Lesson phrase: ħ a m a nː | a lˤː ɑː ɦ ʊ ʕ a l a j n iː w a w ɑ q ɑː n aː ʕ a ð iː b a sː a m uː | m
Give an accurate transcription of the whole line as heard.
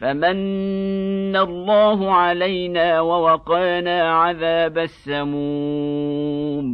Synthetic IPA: f a m a nː | a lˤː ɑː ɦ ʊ ʕ a l a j n aː w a w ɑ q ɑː n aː ʕ a ð aː b a sː a m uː | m